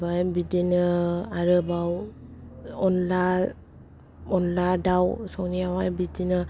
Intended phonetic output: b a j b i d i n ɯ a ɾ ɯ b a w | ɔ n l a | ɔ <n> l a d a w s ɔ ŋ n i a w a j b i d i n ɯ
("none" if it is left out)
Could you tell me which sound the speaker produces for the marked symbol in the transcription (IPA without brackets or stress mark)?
n